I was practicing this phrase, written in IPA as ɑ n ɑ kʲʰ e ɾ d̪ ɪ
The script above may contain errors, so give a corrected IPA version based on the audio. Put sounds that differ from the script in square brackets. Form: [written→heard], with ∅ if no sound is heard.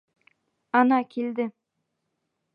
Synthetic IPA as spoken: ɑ n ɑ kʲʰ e [ɾ→l] d̪ ɪ